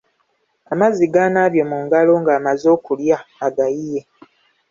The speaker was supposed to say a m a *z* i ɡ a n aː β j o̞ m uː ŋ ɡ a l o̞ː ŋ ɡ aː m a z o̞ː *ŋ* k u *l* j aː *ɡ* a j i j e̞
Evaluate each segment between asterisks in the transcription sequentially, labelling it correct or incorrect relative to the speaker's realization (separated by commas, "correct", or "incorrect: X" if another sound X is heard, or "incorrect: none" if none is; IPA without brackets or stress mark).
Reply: correct, incorrect: none, correct, correct